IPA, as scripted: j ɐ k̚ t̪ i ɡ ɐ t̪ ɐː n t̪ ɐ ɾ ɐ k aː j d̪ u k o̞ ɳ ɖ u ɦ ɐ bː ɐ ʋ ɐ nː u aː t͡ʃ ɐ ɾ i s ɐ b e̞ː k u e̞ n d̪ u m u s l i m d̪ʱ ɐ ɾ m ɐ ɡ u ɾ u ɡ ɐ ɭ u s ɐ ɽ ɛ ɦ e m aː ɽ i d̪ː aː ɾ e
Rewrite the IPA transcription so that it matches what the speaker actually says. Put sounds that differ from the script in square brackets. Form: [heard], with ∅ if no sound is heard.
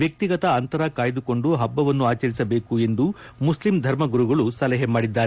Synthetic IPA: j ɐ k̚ t̪ i ɡ ɐ t̪ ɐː n t̪ ɐ ɾ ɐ k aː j d̪ u k o̞ ɳ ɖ u ɦ ɐ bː ɐ ʋ ɐ nː u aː t͡ʃ ɐ ɾ i s ɐ b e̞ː k u e̞ n d̪ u m u s l i m d̪ʱ ɐ ɾ m ɐ ɡ u ɾ u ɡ ɐ ɭ u s ɐ [l] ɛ ɦ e m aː ɽ i d̪ː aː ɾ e